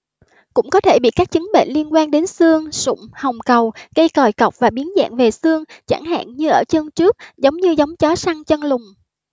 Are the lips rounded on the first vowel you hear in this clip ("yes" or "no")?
yes